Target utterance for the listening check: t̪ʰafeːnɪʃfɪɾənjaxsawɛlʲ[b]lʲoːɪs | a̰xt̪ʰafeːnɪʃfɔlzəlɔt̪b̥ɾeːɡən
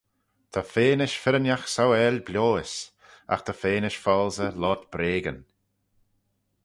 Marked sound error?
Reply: no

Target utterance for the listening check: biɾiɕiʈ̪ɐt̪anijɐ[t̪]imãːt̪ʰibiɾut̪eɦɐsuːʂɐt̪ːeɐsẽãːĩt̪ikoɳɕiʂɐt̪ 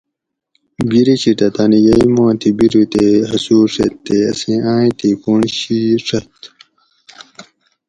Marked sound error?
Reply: yes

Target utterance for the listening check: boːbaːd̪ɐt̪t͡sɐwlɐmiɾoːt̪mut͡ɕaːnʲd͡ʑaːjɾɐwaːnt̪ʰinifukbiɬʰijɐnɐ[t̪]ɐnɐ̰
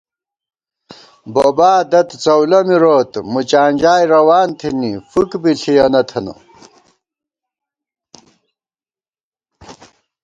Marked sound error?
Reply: yes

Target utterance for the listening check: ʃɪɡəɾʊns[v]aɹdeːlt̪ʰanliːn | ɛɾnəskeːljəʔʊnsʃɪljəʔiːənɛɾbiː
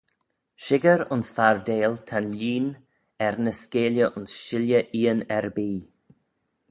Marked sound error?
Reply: yes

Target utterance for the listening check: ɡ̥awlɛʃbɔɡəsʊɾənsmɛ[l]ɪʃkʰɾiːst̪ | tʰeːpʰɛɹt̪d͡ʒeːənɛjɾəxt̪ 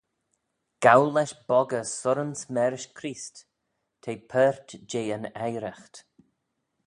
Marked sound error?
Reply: yes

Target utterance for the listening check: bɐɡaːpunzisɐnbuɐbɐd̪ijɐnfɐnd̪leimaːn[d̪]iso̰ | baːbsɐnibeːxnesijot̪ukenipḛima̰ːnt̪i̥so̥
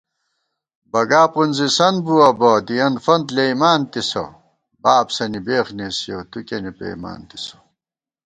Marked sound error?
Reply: yes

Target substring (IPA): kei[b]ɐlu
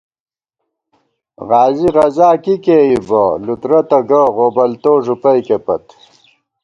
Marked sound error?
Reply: no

